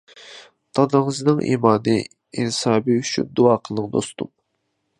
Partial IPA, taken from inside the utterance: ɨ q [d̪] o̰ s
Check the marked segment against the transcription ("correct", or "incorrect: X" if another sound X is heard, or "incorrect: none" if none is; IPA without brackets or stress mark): correct